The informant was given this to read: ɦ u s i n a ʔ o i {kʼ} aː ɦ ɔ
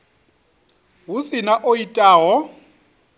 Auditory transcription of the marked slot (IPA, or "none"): tʼ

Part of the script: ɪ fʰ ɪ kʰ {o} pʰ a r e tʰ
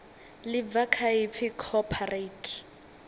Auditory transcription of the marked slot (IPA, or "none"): ɔ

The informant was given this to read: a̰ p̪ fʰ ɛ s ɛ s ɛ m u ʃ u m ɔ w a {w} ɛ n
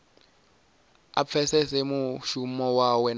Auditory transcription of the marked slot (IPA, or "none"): w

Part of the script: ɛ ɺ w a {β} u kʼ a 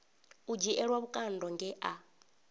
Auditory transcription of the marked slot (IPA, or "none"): β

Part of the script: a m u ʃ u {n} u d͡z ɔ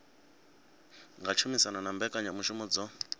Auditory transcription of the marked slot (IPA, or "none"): m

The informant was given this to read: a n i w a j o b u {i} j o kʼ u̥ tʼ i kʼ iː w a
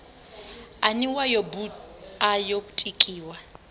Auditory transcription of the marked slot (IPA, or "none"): a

